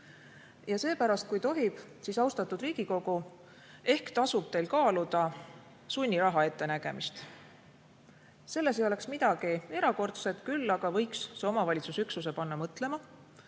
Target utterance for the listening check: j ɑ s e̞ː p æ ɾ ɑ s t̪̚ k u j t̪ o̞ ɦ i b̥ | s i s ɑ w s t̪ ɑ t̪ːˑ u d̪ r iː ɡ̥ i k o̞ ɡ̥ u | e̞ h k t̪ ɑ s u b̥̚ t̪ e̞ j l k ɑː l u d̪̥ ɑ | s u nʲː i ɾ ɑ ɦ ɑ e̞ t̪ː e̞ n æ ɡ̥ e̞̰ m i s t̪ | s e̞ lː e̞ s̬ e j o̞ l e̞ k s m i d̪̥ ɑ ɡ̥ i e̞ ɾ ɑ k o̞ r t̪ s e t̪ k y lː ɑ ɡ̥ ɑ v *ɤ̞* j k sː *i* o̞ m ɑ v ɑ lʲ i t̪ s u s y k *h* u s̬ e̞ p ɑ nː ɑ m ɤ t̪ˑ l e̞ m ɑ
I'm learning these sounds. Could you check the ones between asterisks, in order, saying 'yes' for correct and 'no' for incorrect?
yes, no, no

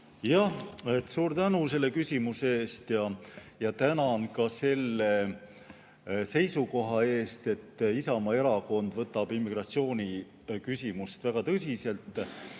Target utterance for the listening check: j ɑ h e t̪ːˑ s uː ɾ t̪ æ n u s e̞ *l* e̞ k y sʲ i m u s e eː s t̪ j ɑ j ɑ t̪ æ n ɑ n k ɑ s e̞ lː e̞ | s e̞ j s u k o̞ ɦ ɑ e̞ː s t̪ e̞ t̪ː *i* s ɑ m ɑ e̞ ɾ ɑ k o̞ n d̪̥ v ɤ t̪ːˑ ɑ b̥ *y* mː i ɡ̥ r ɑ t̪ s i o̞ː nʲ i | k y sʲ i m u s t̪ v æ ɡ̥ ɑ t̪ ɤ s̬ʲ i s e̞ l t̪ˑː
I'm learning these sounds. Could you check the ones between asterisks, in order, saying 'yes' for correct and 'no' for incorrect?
no, yes, no

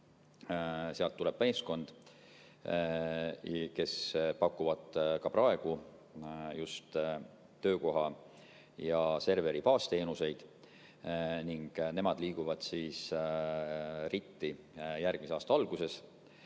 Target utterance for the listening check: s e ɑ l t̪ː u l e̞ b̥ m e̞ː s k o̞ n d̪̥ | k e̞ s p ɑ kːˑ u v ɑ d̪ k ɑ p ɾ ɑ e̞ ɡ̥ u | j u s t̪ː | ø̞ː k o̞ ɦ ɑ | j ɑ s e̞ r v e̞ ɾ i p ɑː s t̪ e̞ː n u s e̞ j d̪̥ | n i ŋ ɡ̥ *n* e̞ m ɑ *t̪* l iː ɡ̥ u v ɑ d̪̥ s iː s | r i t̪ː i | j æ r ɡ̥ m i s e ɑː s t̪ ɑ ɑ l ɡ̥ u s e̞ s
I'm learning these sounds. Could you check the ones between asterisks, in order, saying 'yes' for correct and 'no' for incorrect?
yes, no

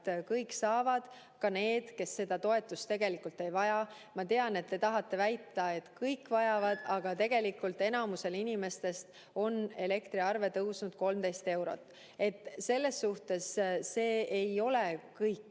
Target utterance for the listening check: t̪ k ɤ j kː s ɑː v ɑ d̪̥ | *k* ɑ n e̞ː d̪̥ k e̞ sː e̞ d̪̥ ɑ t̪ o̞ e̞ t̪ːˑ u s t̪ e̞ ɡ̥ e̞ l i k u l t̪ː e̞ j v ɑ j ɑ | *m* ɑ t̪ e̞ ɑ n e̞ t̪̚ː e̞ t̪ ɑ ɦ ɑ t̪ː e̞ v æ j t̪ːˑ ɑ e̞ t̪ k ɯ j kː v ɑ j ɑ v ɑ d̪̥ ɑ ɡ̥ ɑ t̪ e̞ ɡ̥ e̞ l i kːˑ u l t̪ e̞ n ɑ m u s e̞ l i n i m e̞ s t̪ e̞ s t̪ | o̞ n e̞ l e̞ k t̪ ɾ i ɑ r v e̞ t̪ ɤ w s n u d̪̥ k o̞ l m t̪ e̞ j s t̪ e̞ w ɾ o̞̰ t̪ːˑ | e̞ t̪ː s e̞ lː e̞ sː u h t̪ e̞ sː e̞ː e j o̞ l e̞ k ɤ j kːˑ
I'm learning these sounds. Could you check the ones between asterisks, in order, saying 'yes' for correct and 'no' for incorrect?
yes, yes

